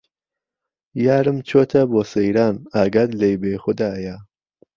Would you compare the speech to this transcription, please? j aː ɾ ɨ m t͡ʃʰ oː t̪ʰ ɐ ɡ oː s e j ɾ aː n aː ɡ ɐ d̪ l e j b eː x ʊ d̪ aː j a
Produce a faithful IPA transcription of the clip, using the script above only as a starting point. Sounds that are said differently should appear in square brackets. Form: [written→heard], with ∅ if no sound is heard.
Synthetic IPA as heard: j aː ɾ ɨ m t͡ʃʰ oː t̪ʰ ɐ [ɡ→b] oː s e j ɾ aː n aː ɡ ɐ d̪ l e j b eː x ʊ d̪ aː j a